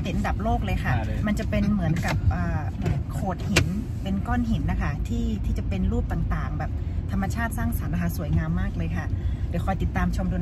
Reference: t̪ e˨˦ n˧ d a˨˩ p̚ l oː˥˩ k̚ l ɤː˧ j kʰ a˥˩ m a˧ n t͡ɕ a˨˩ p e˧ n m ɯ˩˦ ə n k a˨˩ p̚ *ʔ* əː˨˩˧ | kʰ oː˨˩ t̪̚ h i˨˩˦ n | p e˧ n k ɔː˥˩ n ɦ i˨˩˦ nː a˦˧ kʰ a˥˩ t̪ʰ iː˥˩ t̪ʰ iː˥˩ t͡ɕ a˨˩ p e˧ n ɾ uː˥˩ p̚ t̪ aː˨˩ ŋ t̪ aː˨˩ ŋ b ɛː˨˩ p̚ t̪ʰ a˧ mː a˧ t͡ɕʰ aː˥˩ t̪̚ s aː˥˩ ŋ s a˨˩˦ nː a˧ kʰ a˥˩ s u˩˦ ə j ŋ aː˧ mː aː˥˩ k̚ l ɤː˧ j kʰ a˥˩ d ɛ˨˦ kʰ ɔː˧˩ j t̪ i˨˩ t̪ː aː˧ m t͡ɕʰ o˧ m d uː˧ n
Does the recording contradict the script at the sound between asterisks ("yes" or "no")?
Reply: no